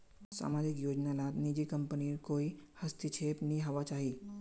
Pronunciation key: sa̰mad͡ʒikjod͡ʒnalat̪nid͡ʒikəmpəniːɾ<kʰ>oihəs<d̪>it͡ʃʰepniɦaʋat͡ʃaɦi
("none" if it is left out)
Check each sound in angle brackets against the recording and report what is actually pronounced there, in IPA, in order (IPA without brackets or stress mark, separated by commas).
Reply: k, t̪